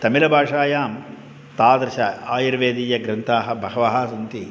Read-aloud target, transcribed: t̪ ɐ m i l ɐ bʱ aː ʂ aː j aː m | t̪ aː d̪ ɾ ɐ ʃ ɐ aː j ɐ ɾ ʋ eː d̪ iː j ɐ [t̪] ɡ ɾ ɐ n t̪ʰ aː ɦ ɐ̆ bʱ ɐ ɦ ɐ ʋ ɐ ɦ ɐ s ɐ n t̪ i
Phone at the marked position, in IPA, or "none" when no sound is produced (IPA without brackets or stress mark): none